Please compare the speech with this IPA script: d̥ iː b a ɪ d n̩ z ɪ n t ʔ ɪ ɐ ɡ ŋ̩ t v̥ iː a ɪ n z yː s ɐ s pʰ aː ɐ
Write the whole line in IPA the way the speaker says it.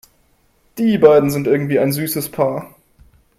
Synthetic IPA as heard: d̥ iː b a ɪ d n̩ z ɪ n t ʔ ɪ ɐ ɡ ŋ̩ t v̥ iː a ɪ n z yː s ə s pʰ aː ɐ